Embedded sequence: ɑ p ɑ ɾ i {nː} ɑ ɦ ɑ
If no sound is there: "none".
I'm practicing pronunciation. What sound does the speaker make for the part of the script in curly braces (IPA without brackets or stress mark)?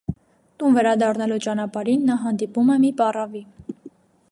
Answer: nː